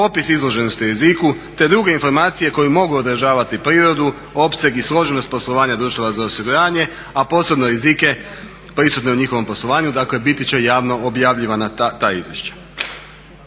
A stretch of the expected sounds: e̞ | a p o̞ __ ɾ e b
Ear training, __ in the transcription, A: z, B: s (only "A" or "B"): B